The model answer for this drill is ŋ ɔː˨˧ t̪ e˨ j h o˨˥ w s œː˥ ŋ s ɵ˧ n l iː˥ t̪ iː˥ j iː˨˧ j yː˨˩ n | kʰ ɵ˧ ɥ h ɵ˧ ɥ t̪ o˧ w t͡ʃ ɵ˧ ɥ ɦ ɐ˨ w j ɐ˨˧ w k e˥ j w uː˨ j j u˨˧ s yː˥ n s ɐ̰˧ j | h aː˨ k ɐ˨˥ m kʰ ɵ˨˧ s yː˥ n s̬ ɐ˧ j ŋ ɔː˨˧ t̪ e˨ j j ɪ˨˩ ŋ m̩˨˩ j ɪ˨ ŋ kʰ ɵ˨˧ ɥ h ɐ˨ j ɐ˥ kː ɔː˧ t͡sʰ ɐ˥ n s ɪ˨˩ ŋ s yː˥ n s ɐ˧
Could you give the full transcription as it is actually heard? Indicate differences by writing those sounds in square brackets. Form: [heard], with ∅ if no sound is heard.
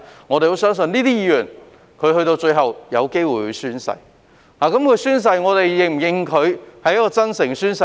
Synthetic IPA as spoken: ŋ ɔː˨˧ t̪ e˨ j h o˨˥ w s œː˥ ŋ s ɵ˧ n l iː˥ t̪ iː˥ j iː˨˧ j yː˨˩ n | kʰ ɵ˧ ɥ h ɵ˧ ɥ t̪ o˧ w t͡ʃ ɵ˧ ɥ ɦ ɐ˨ w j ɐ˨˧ w k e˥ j w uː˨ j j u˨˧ s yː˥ n s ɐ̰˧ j | h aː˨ k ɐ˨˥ m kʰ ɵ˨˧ s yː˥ n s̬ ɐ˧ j ŋ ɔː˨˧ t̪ e˨ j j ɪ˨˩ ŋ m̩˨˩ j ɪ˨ ŋ kʰ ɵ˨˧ ɥ h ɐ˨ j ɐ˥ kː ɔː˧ [t͡s] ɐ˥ n s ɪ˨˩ ŋ s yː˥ n s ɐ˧

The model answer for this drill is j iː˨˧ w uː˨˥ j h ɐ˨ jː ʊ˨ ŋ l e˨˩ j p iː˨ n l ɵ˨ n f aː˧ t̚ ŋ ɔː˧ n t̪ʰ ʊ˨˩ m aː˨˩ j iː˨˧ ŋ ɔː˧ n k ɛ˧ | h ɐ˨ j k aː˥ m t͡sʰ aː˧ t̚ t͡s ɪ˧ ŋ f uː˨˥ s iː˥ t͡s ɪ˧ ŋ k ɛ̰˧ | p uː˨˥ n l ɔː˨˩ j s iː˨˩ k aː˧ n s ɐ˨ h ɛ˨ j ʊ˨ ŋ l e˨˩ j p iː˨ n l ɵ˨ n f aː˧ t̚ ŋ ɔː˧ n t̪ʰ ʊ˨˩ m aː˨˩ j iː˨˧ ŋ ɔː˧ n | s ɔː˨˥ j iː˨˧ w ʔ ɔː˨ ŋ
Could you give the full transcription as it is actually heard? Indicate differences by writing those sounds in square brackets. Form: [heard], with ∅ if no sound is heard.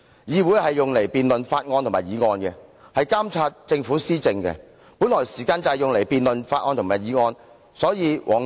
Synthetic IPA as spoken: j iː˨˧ w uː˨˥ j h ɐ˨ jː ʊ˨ ŋ l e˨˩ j p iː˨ n l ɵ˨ n f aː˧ t̚ ŋ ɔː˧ n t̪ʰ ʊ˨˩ m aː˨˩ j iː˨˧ ŋ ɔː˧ n k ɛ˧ | h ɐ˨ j k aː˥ m t͡sʰ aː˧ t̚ t͡s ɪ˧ ŋ f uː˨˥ s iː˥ t͡s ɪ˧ ŋ k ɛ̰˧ | p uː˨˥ n l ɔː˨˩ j s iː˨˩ k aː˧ n [t͡s] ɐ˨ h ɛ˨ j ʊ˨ ŋ l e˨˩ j p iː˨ n l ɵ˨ n f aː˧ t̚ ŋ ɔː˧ n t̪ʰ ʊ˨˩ m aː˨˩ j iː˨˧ ŋ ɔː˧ n | s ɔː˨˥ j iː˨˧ w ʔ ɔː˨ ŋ

